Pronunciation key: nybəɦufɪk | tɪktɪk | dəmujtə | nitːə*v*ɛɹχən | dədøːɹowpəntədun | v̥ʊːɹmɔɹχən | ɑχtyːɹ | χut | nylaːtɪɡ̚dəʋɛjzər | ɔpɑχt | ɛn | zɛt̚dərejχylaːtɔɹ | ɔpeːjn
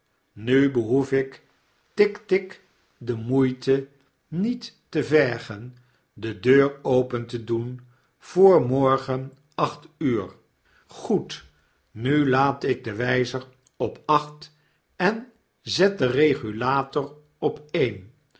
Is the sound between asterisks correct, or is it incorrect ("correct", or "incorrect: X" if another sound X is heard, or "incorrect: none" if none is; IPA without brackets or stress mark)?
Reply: correct